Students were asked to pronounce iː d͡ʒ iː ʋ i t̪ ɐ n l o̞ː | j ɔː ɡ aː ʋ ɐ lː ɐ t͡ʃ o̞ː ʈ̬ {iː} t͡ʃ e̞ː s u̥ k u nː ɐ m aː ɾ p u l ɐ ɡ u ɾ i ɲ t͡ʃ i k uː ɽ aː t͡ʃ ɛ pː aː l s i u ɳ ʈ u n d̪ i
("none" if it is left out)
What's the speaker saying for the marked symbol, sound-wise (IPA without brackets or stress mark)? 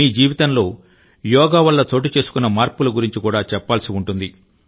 i